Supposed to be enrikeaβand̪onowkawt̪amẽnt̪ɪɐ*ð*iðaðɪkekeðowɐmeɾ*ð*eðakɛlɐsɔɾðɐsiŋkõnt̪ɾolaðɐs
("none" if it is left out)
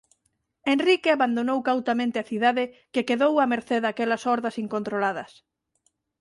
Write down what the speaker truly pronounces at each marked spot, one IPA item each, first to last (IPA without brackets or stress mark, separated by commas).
θ, θ